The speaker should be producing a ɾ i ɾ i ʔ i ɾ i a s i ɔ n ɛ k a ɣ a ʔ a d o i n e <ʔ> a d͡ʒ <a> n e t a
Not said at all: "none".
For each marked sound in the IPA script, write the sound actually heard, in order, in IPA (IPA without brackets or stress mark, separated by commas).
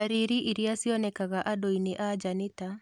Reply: ʔ, a